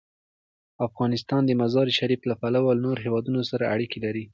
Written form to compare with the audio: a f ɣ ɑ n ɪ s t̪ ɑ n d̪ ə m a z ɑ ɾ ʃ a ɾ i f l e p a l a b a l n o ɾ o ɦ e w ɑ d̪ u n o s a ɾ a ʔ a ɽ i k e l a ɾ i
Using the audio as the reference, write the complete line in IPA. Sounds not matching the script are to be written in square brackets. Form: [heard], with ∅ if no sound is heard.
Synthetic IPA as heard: a f ɣ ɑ n ɪ s t̪ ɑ n d̪ ə m a z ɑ ɾ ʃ a ɾ i f l [a] p a l a [w] a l n o ɾ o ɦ e w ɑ d̪ u n o s a ɾ a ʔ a ɽ i k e l a ɾ i